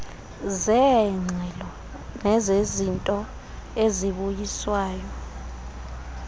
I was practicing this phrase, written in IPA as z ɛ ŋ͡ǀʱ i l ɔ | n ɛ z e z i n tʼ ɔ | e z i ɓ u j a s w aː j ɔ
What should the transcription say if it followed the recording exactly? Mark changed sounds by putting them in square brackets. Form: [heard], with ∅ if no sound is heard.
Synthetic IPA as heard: z ɛ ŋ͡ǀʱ [ɛ] l ɔ | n ɛ z e z i n tʼ ɔ | e z i ɓ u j [i] s w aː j ɔ